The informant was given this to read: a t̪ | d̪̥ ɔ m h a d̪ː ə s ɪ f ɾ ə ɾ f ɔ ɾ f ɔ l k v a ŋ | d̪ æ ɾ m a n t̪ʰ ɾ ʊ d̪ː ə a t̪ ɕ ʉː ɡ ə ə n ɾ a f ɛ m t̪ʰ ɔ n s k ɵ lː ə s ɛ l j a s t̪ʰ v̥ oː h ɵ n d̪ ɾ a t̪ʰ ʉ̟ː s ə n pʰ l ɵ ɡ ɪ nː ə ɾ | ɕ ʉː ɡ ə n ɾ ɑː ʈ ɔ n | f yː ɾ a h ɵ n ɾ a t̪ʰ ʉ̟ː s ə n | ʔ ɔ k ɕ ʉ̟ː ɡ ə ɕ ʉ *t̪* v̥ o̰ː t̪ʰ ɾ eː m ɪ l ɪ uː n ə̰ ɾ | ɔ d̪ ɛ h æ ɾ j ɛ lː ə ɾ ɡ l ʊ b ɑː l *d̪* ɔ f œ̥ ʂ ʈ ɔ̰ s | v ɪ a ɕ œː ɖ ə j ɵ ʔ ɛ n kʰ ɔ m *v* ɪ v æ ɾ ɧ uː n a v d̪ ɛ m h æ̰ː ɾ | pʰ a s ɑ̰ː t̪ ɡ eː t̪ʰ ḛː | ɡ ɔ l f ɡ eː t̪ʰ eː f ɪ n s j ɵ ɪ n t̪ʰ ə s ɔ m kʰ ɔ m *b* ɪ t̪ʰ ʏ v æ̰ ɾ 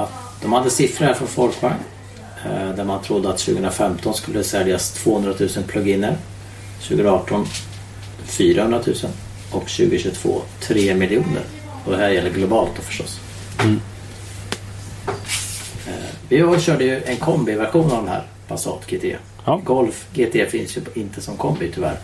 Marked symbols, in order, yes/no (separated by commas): no, no, no, yes